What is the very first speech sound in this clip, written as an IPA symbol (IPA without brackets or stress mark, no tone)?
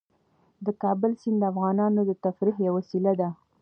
d̪